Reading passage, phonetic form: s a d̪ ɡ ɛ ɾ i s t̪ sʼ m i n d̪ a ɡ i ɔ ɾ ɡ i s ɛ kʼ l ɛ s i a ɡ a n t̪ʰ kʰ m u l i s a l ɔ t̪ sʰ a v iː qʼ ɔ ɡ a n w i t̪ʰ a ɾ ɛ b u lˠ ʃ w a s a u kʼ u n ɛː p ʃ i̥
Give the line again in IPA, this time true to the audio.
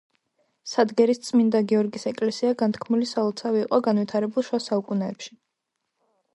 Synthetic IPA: s a d̪ ɡ ɛ ɾ i s t̪ sʼ m i n d̪ a ɡ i ɔ ɾ ɡ i s ɛ kʼ l ɛ s i a ɡ a n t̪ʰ kʰ m u l i s a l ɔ t̪ sʰ a v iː qʼ ɔ ɡ a n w i t̪ʰ a ɾ ɛ b u lˠ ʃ w a s a u kʼ u n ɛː p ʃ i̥